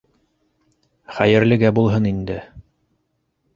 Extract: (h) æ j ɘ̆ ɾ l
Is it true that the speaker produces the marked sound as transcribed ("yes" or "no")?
no